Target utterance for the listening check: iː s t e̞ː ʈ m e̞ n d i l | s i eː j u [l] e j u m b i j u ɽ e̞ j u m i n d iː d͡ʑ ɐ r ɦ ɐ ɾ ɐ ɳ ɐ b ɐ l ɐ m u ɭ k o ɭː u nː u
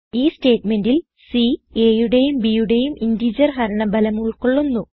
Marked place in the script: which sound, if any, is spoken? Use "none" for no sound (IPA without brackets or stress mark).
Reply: ɽ